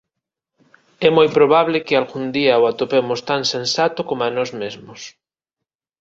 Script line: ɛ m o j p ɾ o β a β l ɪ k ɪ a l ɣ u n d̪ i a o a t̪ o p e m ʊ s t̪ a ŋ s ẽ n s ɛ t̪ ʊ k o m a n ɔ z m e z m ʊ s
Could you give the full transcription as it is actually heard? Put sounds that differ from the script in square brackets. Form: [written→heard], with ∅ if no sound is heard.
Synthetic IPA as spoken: ɛ m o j p ɾ o β a β l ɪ k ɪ a l ɣ u n d̪ i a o a t̪ o p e m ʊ s t̪ a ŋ s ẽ n s [ɛ→a] t̪ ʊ k o m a n ɔ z m e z m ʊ s

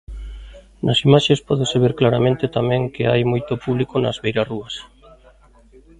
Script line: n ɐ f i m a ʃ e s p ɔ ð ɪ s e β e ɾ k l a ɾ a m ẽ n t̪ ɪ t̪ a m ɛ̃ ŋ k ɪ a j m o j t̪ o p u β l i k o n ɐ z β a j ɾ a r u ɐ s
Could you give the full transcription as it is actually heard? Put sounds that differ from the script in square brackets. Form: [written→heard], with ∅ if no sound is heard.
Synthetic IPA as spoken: n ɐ [f→s] i m a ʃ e s p ɔ ð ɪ s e β e ɾ k l a ɾ a m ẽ n t̪ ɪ t̪ a m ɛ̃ ŋ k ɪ a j m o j t̪ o p u β l i k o n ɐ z β [a→e] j ɾ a r u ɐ s

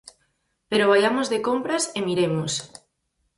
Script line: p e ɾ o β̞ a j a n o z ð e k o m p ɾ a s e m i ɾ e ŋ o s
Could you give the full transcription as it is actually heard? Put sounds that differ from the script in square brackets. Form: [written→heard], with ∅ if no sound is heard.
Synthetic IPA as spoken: p e ɾ o β̞ a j a [n→m] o z ð e k o m p ɾ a s e m i ɾ e [ŋ→m] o s

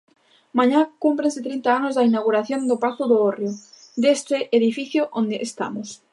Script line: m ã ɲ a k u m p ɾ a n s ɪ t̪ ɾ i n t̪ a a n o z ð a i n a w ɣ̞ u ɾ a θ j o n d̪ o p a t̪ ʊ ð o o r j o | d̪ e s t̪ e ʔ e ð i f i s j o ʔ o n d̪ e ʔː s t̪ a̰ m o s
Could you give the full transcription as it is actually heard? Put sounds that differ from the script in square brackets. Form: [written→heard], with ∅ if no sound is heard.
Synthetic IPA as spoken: m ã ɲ a k u m p ɾ [a→e] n s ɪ t̪ ɾ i n t̪ a a n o z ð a i n a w ɣ̞ u ɾ a θ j o n d̪ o p a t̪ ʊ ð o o r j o | d̪ e s t̪ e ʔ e ð i f i [s→θ] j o ʔ o n d̪ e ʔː s t̪ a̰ m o s

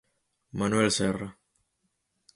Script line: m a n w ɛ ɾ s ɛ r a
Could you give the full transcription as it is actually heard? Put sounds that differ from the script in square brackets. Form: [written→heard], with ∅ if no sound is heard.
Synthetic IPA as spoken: m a n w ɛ [ɾ→l] s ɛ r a

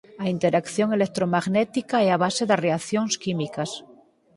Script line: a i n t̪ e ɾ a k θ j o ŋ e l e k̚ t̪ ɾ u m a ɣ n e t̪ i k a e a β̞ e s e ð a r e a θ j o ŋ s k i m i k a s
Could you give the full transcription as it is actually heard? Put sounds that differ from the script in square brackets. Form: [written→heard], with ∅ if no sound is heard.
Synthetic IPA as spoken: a i n t̪ e ɾ a k θ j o ŋ e l e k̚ t̪ ɾ [u→o] m a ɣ n e t̪ i k a e a β̞ [e→a] s e ð a r e a θ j o ŋ s k i m i k a s

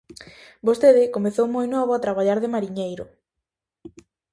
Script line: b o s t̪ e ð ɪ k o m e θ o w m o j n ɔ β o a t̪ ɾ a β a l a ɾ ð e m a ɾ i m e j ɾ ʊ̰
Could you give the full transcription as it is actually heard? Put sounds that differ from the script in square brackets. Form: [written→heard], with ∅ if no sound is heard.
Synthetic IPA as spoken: b o s t̪ e ð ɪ k o m e θ o w m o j n ɔ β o a t̪ ɾ a β a [l→ʎ] a ɾ ð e m a ɾ i [m→ɲ] e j ɾ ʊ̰

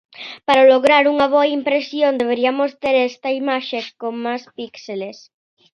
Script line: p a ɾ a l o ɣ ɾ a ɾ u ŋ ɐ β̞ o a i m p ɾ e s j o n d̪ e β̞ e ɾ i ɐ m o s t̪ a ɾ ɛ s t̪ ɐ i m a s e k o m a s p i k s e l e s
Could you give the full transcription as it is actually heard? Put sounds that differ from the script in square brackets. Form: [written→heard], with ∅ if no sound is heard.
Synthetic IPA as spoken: p a ɾ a l o ɣ ɾ a ɾ u ŋ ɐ β̞ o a i m p ɾ e s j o n d̪ e β̞ e ɾ i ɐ m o s t̪ [a→e] ɾ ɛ s t̪ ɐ i m a [s→ʃ] e k o m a s p i k s e l e s

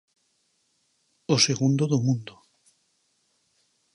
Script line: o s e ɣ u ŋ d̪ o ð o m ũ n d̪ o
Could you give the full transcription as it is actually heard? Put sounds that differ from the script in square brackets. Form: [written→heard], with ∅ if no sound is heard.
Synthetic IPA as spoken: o s e ɣ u [ŋ→n] d̪ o ð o m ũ n d̪ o

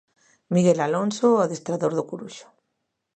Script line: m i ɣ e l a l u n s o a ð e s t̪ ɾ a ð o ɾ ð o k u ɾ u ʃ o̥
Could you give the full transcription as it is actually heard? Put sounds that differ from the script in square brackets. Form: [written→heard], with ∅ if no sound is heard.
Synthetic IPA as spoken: m i ɣ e l a l [u→o] n s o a ð e s t̪ ɾ a ð o ɾ ð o k u ɾ u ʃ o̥

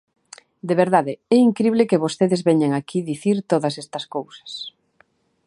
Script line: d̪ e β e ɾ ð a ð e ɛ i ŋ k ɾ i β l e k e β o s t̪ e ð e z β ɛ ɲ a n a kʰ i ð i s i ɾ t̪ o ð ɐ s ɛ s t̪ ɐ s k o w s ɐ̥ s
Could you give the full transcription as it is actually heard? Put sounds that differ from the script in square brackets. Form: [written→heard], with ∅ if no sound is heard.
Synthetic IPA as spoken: d̪ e β e ɾ ð a ð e ɛ i ŋ k ɾ i β l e k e β o s t̪ e ð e z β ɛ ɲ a [n→ŋ] a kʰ i ð i [s→θ] i ɾ t̪ o ð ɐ s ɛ s t̪ ɐ s k o w s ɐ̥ s

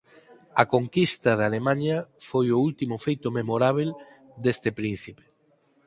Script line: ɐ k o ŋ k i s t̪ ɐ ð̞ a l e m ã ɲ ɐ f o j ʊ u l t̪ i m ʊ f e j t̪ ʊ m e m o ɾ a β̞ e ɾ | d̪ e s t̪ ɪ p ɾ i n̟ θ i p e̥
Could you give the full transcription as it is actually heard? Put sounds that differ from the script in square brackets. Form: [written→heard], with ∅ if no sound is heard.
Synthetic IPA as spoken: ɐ k o ŋ k i s t̪ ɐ ð̞ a l e m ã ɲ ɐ f o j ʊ u l t̪ i m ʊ f e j t̪ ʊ m e m o ɾ a β̞ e [ɾ→l] | d̪ e s t̪ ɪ p ɾ i n̟ θ i p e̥

